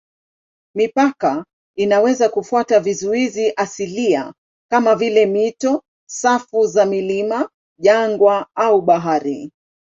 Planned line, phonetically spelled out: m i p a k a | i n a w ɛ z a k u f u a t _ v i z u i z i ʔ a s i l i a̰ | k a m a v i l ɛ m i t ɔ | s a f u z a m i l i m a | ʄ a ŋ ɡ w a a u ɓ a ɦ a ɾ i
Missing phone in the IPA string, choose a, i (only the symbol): a